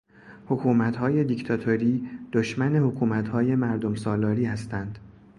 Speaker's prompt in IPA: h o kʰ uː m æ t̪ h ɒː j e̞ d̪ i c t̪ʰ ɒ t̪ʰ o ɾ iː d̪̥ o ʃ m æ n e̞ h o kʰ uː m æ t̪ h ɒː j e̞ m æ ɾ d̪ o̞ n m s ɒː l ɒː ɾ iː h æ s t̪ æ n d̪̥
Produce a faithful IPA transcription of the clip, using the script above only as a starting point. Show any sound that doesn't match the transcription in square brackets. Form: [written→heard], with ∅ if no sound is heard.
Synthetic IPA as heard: h o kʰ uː m æ t̪ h ɒː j e̞ d̪ i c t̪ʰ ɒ t̪ʰ o ɾ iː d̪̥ o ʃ m æ n e̞ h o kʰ uː m æ t̪ h ɒː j e̞ m æ ɾ d̪ o̞ [n→∅] m s ɒː l ɒː ɾ iː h æ s t̪ æ n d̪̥